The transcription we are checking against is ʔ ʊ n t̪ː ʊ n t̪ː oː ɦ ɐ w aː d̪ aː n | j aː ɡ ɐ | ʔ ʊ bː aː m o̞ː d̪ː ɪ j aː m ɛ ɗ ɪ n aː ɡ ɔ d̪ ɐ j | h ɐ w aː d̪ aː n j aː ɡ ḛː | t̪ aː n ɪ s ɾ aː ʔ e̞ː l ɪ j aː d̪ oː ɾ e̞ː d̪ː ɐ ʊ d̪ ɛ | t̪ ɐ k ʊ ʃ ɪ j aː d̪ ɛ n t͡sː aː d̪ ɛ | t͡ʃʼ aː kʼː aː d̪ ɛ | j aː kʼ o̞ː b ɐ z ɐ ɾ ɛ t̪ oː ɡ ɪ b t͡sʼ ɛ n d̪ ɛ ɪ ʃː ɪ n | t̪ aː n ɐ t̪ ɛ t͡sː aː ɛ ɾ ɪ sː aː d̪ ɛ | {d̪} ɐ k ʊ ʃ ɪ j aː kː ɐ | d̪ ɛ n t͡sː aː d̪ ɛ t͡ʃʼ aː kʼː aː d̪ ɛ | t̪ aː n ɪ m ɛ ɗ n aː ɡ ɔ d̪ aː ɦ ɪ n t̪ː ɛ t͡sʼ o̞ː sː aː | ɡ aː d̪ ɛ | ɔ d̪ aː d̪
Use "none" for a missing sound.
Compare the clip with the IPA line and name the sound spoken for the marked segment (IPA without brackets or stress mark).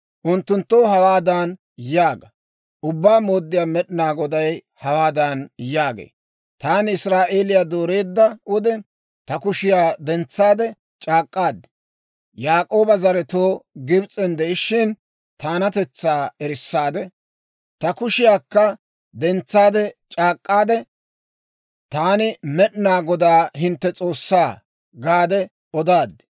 t̪